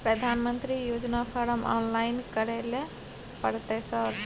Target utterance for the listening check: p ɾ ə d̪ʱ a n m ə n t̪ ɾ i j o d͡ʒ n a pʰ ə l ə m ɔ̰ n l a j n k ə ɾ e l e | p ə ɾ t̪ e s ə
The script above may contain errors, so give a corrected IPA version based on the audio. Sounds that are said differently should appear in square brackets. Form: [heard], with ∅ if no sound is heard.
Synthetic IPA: p ɾ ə d̪ʱ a n m ə n t̪ ɾ i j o d͡ʒ n a pʰ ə [ɾ] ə m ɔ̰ n l a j n k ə ɾ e l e | p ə ɾ t̪ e s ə